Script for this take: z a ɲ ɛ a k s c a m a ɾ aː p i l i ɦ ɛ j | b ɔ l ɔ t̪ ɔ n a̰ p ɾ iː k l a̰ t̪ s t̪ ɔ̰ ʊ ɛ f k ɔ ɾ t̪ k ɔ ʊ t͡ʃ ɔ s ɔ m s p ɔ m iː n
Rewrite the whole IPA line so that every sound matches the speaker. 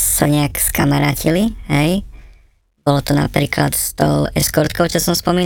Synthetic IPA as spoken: s a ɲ ɛ a k s k a m a ɾ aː c i l i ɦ ɛ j | b ɔ l ɔ t̪ ɔ n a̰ p ɾ iː k l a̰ t̪ s t̪ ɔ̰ ʊ ɛ s k ɔ ɾ t̪ k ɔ ʊ t͡ʃ ɔ s ɔ m s p ɔ m iː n